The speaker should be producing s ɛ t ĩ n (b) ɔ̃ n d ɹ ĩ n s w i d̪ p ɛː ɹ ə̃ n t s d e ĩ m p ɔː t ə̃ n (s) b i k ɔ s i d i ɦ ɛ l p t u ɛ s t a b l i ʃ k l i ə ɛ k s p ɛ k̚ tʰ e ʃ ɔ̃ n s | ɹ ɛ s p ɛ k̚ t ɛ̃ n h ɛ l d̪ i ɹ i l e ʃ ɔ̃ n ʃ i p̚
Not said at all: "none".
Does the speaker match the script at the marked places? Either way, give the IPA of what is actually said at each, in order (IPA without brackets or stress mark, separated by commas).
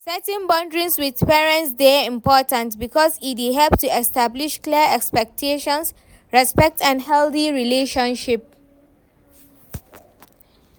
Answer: b, t